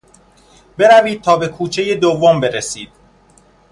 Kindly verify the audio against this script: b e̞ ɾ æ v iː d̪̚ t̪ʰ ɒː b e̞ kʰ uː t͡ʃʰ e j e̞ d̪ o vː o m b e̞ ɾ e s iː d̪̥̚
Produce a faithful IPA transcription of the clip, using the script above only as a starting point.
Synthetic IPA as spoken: b e̞ ɾ æ v iː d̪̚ t̪ʰ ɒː b e̞ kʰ uː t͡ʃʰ e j e̞ d̪ o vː o m b e̞ ɾ e s iː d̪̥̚

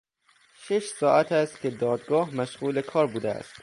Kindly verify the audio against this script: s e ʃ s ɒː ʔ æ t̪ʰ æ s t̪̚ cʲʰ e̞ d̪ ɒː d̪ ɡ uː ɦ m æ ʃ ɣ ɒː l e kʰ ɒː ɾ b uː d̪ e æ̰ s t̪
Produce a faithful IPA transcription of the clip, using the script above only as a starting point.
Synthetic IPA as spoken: ʃ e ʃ s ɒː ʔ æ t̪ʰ æ s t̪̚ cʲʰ e̞ d̪ ɒː d̪ ɡ ɒː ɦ m æ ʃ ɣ uː l e kʰ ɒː ɾ b uː d̪ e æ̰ s t̪

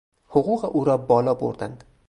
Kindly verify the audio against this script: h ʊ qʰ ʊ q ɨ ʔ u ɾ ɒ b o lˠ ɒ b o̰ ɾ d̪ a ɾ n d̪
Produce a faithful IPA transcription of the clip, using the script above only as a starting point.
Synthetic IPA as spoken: h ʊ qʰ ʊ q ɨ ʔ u ɾ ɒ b ɒ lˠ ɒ b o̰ ɾ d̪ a n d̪

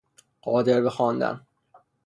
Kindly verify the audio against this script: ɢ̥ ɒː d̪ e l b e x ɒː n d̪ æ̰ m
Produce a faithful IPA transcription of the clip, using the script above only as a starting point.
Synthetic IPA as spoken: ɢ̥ ɒː d̪ e ɾ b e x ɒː n d̪ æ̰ n

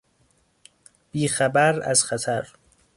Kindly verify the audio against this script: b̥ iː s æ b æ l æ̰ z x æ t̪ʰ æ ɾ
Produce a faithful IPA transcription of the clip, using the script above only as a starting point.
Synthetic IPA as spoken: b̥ iː x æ b æ ɾ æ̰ z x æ t̪ʰ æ ɾ

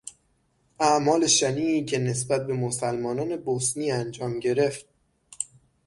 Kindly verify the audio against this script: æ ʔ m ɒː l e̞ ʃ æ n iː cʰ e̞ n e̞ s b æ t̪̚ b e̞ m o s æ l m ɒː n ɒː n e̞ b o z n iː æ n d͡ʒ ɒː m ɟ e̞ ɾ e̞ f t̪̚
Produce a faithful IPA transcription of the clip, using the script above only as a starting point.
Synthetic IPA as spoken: æ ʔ m ɒː l e̞ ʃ æ n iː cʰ e̞ n e̞ s b æ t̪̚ b e̞ m o s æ l m ɒː n ɒː n e̞ b o s n iː æ n d͡ʒ ɒː m ɟ e̞ ɾ e̞ f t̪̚

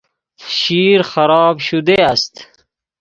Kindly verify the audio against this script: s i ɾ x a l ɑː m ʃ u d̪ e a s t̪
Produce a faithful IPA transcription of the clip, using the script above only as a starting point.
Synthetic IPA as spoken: ʃ i ɾ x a ɾ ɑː b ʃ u d̪ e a s t̪

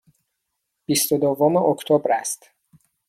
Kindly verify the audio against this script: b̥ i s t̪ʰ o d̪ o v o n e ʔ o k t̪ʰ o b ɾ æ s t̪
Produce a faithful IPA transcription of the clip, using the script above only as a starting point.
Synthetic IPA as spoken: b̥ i s t̪ o d̪ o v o m e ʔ o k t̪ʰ o b ɾ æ s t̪

